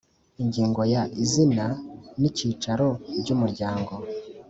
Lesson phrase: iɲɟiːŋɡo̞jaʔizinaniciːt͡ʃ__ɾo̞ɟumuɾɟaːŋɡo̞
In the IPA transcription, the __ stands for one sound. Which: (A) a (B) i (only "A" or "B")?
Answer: A